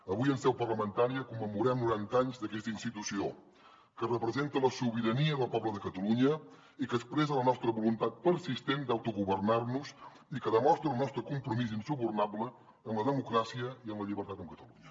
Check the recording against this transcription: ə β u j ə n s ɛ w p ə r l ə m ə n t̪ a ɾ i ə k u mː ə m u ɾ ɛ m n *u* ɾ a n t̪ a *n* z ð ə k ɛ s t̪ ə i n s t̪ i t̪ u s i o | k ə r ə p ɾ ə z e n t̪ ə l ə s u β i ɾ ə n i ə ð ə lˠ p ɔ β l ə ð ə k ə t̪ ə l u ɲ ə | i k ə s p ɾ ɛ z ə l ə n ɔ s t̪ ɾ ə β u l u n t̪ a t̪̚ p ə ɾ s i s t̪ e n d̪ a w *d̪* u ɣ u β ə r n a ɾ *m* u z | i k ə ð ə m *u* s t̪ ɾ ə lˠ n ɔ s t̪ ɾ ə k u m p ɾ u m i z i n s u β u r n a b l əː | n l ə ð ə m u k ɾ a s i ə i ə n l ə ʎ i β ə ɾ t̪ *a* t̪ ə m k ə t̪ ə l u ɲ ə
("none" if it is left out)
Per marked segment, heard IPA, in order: u, ɲ, t̪, n, ɔ, a

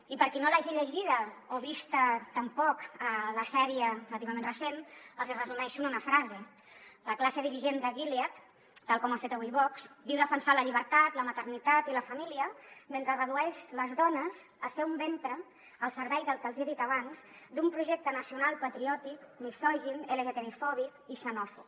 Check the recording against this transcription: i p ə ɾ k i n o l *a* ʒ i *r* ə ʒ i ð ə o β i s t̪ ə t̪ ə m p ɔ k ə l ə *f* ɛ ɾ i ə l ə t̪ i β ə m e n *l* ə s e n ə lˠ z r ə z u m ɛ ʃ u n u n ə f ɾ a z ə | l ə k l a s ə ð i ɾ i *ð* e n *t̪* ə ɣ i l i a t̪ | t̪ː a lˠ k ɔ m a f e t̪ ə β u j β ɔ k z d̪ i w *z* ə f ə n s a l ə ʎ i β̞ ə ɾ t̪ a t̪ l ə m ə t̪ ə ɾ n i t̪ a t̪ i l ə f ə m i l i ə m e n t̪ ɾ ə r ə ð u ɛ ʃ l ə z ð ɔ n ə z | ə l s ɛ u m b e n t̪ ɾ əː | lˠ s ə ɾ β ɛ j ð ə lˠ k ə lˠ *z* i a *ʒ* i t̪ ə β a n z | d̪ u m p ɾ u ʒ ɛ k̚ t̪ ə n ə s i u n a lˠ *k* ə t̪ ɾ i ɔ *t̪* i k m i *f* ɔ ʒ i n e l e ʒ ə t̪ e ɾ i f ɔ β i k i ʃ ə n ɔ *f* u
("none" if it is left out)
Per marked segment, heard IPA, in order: a, ʎ, s, r, ʒ, d̪, ð, z, ð, p, t̪, s, f

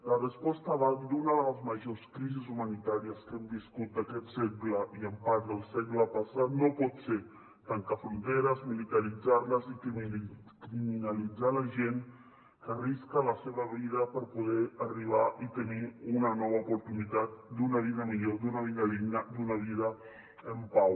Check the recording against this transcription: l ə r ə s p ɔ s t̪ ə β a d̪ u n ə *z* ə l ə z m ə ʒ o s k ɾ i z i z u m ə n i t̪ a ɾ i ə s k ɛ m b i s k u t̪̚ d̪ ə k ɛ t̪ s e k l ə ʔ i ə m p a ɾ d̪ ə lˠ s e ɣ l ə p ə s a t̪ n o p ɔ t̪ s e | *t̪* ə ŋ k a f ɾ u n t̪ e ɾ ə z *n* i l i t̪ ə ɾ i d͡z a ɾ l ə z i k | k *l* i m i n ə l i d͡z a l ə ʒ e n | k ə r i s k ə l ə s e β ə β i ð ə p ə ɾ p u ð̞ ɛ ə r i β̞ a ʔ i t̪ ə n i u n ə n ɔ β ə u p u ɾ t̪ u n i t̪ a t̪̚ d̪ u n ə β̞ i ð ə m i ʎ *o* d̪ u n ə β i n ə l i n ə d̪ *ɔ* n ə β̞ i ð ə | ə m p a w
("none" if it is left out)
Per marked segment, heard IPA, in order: ð, t̪, m, ɾ, o, u

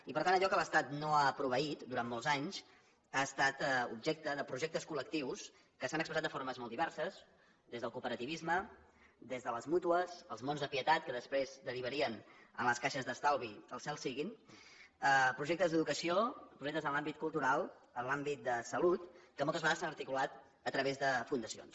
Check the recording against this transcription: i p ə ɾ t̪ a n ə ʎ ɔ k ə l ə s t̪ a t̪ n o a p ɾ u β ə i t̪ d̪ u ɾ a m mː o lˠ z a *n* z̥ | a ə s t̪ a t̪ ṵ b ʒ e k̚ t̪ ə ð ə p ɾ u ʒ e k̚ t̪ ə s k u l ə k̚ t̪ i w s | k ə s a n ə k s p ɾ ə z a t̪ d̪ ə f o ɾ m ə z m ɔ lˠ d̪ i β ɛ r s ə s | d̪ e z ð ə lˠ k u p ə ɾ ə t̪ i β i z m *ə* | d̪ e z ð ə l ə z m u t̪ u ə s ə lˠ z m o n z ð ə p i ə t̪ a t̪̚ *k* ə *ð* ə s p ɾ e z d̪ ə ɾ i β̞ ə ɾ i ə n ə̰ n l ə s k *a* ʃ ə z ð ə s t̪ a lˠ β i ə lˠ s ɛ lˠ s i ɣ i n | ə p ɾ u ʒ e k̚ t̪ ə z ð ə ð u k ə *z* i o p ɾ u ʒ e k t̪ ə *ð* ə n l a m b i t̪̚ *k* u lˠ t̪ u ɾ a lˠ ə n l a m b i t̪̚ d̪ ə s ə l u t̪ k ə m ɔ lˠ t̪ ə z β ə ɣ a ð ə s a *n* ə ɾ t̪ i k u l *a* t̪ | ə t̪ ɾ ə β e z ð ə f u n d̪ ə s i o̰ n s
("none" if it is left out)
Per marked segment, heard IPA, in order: ɲ, ə, k, ð, a, s, z, k, n, a

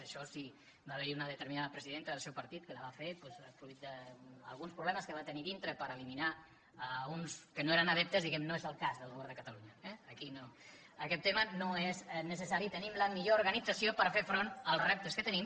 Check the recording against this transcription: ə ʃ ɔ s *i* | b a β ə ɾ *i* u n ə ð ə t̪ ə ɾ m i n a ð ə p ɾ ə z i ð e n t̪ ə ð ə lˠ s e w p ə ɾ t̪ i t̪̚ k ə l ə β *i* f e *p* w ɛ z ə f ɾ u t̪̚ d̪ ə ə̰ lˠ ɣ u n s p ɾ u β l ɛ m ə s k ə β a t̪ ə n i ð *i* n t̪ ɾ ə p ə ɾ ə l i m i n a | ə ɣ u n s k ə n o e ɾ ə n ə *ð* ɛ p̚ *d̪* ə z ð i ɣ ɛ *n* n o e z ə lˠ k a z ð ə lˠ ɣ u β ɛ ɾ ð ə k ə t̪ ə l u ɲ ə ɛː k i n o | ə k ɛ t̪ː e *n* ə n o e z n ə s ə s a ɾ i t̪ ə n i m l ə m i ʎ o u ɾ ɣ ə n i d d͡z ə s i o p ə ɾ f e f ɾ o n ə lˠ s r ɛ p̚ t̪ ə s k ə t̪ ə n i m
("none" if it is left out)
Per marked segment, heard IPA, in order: i, i, a, p, i, ð, t̪, m, m

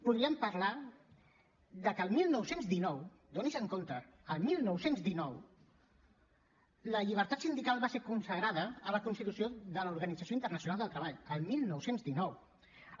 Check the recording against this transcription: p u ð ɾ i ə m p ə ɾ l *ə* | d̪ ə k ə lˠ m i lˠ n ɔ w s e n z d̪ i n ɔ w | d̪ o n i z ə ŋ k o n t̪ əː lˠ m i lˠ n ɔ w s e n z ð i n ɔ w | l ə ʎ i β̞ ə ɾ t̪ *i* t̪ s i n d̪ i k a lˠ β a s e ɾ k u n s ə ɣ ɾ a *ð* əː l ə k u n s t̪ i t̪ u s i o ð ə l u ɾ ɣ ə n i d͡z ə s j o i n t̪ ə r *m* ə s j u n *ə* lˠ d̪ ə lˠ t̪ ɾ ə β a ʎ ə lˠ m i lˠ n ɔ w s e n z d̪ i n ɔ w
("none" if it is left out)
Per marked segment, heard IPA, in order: a, a, ð, n, a

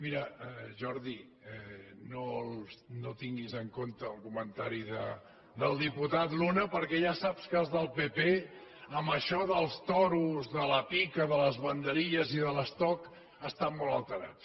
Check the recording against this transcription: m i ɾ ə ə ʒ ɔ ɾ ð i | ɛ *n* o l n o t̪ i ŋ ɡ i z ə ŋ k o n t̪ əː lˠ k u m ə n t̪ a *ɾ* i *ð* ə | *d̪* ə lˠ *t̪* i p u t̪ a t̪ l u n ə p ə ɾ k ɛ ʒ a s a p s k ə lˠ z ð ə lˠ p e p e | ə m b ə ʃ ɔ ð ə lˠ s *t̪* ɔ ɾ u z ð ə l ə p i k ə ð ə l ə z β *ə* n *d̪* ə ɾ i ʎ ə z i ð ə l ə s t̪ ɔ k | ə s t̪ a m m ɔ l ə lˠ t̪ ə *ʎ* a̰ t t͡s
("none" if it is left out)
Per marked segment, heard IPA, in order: n, ɾ, ð, d̪, d̪, t̪, ə, d̪, ɾ

